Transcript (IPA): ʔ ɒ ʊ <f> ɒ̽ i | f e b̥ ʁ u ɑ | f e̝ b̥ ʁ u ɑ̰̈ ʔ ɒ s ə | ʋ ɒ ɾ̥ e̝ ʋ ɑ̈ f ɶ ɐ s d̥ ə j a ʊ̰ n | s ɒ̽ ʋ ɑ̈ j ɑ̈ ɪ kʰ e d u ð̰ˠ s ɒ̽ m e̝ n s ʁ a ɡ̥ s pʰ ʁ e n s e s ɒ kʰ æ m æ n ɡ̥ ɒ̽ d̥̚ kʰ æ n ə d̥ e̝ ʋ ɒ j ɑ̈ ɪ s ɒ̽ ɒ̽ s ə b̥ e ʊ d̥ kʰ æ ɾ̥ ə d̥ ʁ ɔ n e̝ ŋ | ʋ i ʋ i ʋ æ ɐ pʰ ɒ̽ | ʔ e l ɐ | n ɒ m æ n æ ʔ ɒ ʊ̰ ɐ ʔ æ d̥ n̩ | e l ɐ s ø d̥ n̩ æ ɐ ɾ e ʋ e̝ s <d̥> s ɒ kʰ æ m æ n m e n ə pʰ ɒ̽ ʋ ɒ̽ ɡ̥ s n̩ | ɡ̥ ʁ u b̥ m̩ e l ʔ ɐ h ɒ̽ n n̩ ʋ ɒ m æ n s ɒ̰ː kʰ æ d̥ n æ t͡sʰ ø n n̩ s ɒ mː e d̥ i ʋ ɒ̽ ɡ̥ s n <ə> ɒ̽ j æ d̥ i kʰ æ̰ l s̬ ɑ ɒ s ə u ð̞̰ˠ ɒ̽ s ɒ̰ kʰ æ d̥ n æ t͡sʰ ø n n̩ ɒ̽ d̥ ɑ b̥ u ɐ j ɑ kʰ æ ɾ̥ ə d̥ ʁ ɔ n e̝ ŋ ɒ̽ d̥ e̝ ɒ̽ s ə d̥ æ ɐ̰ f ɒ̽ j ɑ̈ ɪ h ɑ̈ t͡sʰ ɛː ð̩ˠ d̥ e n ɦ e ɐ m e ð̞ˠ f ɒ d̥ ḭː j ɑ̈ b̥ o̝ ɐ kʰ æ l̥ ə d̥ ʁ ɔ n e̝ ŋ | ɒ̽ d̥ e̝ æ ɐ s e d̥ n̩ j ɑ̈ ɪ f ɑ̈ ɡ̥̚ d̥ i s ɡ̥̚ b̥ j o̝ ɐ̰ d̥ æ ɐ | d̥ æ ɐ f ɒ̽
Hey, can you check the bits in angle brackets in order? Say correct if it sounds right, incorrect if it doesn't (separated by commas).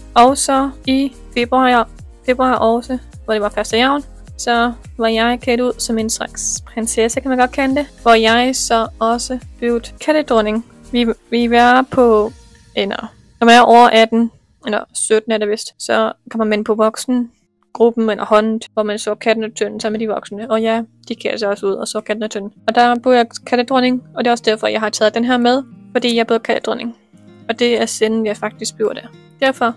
incorrect, correct, correct